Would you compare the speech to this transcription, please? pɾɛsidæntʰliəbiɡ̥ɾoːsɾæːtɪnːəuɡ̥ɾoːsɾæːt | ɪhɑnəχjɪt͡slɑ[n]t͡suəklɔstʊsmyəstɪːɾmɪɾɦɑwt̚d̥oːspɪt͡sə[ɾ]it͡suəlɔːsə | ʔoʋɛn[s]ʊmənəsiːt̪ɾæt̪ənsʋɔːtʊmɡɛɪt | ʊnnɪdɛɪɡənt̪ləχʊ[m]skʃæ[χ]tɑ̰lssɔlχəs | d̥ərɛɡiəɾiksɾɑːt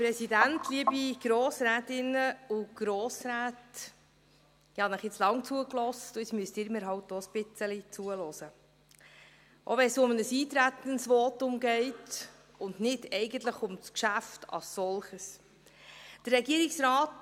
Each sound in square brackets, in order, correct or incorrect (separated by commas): incorrect, incorrect, correct, correct, incorrect